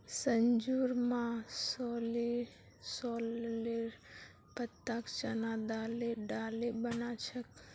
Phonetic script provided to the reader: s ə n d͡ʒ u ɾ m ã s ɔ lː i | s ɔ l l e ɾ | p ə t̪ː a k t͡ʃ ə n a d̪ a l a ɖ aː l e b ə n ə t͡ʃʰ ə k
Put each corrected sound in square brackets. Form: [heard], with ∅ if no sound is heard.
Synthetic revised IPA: s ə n d͡ʒ u ɾ m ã s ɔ [l] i | s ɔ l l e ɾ | p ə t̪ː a k t͡ʃ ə n a d̪ a l [e] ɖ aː l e b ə n [a] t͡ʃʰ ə k